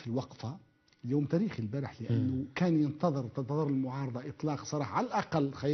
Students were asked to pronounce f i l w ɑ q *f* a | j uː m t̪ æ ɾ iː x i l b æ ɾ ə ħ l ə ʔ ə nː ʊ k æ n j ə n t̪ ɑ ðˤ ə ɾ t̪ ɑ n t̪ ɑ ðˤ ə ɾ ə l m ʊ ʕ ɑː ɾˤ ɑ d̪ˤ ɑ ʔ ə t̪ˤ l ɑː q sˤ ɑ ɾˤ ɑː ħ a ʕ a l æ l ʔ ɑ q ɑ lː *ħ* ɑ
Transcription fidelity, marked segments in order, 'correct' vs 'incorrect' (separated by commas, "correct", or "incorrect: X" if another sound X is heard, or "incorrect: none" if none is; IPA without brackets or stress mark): correct, incorrect: x